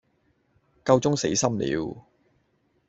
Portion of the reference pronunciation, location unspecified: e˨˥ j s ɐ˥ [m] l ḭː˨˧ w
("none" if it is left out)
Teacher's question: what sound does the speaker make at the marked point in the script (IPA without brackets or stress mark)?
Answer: m